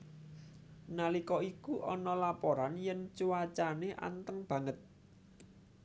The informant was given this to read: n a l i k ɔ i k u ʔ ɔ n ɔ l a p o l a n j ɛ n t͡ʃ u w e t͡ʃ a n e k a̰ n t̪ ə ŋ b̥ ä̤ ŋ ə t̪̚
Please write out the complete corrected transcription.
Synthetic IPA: n a l i k ɔ i k u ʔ ɔ n ɔ l a p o ɾ a n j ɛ n t͡ʃ u w a t͡ʃ a n e ʔ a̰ n t̪ ə ŋ b̥ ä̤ ŋ ə t̪̚